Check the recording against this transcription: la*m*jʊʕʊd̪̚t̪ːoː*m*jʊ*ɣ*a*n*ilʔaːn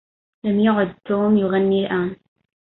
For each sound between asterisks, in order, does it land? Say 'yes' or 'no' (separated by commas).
yes, yes, yes, no